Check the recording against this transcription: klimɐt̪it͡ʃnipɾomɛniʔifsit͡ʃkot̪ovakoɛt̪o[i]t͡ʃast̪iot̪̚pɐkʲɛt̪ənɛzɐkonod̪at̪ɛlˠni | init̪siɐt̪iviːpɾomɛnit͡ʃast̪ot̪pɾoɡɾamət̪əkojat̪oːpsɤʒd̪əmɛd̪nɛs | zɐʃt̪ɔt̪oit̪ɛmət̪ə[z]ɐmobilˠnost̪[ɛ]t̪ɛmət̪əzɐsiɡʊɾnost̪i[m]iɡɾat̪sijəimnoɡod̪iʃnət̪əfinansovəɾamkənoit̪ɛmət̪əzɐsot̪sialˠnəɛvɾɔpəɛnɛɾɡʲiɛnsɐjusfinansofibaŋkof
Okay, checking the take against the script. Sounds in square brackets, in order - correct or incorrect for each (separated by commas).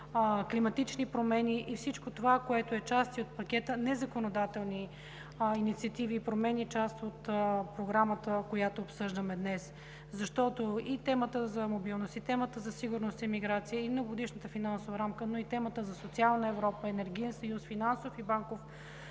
incorrect, correct, incorrect, correct